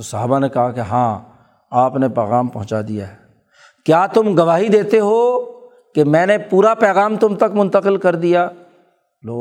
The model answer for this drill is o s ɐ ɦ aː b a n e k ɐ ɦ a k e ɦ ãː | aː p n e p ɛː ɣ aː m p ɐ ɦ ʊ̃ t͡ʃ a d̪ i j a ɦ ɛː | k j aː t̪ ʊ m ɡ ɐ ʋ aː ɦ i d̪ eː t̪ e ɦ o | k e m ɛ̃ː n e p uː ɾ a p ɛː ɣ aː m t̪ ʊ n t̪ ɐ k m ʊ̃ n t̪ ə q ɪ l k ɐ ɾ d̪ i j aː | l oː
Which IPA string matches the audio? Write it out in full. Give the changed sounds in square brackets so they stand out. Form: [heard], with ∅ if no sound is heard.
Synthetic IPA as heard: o s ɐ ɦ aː b a n e k ɐ ɦ a k e ɦ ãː | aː p n e p ɛː ɣ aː m p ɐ ɦ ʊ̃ t͡ʃ a d̪ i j a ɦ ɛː | k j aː t̪ ʊ m ɡ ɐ ʋ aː ɦ i d̪ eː t̪ e ɦ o | k e m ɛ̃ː n e p uː ɾ a p ɛː ɣ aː m t̪ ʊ [m] t̪ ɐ k m ʊ̃ n t̪ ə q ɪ l k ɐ ɾ d̪ i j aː | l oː